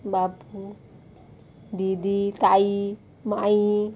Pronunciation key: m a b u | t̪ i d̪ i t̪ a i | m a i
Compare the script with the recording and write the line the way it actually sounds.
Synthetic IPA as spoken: b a p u | d̪ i d̪ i t̪ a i | m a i